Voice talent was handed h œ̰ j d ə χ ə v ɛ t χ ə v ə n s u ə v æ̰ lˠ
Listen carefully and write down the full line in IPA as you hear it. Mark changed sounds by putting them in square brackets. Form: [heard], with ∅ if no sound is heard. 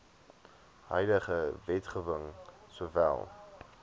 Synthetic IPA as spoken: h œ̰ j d ə χ ə v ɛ t χ ə v ə [ŋ] s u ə v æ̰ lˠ